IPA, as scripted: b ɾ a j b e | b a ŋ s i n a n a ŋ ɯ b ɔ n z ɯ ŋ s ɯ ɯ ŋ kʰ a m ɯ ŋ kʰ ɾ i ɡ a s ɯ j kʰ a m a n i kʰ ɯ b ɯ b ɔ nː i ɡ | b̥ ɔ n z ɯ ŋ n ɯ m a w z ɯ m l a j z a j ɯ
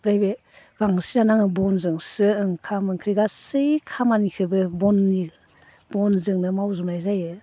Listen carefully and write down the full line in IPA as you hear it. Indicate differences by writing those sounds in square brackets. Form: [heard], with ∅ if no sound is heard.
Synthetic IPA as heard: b ɾ a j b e | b a ŋ s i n a n a ŋ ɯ b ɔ n z ɯ ŋ s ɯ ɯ ŋ kʰ a m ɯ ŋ kʰ ɾ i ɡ a s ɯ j kʰ a m a n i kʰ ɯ b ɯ b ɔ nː i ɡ | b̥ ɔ n z ɯ ŋ n ɯ m a w z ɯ m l a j z a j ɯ